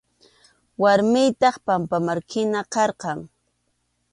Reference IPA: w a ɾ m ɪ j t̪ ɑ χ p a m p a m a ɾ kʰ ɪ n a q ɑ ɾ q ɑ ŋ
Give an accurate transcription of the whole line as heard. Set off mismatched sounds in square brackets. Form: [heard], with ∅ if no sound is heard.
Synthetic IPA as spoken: w a ɾ m ɪ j t̪ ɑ χ p a m p a m a ɾ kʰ ɪ n a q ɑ ɾ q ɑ ŋ